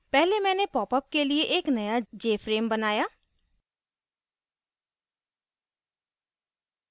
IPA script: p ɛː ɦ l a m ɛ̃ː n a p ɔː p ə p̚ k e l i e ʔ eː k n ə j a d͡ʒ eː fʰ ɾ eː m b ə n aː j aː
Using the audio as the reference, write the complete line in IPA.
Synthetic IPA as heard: p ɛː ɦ l e m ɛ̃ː n e p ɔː p ə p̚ k e l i e ʔ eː k n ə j a d͡ʒ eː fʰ ɾ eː m b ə n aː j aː